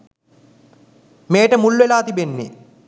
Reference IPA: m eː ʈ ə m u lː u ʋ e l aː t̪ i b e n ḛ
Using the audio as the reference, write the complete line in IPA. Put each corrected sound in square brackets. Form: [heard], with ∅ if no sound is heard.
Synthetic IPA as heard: m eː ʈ ə m u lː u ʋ e l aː t̪ i b e [nː] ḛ